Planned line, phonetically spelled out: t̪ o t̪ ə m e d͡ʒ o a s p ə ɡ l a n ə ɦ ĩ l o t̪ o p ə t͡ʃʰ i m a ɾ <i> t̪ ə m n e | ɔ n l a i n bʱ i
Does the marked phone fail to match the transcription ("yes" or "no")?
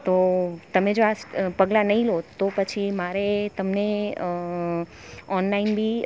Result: yes